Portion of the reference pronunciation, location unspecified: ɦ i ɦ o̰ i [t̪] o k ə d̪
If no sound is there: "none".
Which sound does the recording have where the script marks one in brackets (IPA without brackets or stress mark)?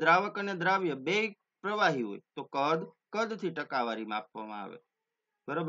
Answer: t̪